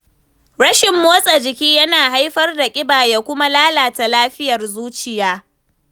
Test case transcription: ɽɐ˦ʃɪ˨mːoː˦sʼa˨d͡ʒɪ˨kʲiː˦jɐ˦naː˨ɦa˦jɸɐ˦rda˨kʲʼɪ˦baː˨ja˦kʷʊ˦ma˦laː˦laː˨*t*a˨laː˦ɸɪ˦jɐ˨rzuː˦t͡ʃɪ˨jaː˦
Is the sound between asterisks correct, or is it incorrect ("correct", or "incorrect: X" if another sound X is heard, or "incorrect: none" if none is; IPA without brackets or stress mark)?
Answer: correct